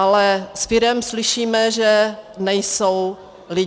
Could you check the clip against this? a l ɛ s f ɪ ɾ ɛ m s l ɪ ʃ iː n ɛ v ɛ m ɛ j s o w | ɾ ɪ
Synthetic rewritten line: a l ɛ s f ɪ ɾ ɛ m s l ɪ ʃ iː m ɛ ʒ ɛ n ɛ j s o w | l ɪ